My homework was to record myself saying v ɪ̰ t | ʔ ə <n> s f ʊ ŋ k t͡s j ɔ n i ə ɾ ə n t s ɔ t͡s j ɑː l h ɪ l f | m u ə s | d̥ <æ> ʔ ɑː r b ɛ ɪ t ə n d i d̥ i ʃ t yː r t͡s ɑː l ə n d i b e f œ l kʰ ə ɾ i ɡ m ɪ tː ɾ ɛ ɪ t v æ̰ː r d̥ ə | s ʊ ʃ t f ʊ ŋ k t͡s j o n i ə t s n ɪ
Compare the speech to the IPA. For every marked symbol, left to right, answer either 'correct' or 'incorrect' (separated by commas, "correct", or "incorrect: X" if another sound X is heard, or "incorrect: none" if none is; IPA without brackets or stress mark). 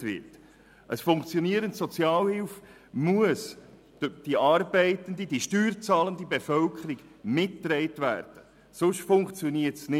incorrect: none, incorrect: i